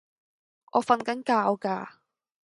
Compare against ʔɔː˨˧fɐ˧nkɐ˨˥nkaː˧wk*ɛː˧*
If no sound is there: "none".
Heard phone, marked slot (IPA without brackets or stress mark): aː˧